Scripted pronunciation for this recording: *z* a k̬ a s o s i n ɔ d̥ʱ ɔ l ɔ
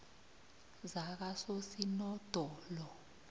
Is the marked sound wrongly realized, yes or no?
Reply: no